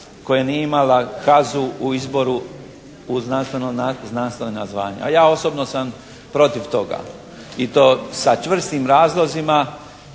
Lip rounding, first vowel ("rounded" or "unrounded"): rounded